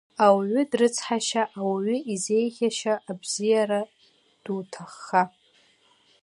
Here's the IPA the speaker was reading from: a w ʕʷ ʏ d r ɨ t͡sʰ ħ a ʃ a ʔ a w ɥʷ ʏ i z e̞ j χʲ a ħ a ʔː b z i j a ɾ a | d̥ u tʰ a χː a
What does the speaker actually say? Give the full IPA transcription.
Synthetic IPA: a w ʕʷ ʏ d r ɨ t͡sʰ ħ a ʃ a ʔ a w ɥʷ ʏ i z e̞ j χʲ a ʃ a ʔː b z i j a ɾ a | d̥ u tʰ a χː a

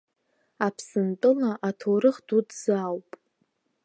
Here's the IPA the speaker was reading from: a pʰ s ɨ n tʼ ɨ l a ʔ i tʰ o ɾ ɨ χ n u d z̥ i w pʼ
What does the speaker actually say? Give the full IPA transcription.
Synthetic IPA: a pʰ s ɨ n tʼ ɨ l a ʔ a tʰ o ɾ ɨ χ d u d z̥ a w pʼ

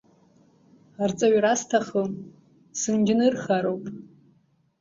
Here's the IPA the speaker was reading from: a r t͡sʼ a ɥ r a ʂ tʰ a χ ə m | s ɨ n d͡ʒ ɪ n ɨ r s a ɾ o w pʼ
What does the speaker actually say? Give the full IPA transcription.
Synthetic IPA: a r t͡sʼ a ɥ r a s tʰ a χ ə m | s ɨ n d͡ʒ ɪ n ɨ r χ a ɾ o w pʼ

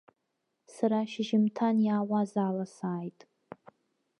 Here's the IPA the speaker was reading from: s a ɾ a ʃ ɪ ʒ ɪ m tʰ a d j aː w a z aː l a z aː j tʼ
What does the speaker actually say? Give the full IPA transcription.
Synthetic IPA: s a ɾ a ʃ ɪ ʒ ɪ m tʰ a n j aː w a z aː l a s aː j tʼ

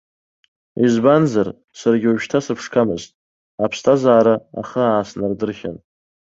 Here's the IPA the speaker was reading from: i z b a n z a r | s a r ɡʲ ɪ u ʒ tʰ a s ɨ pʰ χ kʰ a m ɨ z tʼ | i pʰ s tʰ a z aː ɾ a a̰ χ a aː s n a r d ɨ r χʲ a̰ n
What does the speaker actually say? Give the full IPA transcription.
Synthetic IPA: i z b a n z a r | s a r ɡʲ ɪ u ʒ tʰ a s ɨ pʰ ʂ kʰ a m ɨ z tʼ | a pʰ s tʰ a z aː ɾ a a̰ χ ə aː s n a r d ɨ r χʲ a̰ n

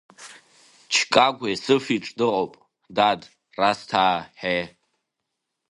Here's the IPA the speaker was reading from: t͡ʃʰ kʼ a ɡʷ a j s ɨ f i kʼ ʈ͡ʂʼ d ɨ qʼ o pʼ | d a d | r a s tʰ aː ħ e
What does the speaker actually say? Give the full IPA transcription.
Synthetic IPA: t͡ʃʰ kʼ a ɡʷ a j s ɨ f i ʈ͡ʂʼ d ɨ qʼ o pʼ | d a d | r a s tʰ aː ħ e

